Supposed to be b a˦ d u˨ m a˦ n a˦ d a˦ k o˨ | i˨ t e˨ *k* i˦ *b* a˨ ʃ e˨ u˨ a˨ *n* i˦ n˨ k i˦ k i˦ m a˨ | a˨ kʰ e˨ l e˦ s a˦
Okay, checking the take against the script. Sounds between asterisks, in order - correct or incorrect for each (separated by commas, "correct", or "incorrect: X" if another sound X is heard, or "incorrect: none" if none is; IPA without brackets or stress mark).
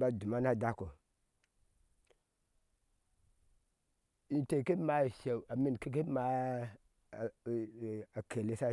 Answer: correct, incorrect: m, incorrect: m